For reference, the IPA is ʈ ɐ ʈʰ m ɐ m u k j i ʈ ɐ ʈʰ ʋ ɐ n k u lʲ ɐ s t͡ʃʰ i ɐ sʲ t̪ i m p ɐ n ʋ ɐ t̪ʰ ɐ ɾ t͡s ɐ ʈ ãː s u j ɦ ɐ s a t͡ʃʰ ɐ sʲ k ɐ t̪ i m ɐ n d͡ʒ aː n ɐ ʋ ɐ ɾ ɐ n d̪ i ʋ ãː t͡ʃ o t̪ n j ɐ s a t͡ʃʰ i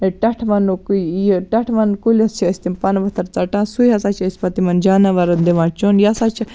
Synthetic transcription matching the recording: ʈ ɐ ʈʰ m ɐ n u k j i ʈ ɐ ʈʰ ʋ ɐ n k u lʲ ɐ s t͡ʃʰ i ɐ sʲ t̪ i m p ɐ n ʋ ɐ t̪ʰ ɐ ɾ t͡s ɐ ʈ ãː s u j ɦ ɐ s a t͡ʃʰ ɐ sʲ p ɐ t̪ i m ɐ n d͡ʒ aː n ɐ ʋ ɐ ɾ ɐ n d̪ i ʋ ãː t͡ʃ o n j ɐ s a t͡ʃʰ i